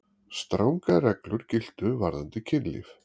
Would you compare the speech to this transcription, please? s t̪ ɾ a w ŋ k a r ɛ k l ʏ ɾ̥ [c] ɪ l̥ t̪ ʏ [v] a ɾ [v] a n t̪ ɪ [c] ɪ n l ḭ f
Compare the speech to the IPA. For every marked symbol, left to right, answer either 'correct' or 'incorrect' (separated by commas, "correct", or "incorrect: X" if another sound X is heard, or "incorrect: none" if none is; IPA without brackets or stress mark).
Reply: correct, correct, incorrect: ð, incorrect: cʰ